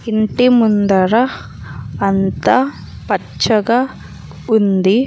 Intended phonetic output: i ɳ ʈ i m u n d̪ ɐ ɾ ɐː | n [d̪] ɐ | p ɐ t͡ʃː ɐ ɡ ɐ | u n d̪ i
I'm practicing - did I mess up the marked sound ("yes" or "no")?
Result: yes